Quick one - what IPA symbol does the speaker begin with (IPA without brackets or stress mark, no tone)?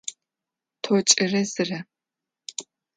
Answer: tʰ